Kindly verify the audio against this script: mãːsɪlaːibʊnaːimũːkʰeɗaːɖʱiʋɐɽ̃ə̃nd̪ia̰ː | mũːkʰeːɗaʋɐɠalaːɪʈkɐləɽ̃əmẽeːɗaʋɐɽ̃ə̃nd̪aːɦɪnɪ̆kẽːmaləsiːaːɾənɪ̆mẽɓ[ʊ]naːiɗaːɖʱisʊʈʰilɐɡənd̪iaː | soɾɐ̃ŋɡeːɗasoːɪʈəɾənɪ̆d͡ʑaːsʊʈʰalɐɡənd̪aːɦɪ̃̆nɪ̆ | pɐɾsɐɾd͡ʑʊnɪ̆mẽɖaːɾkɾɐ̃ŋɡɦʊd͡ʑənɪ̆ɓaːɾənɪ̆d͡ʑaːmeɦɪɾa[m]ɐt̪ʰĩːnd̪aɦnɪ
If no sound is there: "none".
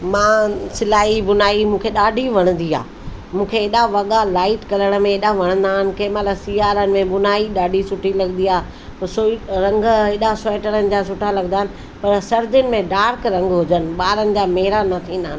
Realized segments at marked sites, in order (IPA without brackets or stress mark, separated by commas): ʊ, n